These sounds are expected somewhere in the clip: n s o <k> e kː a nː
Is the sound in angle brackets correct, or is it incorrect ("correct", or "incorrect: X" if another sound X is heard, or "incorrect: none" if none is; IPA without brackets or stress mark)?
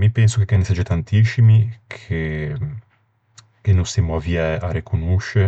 correct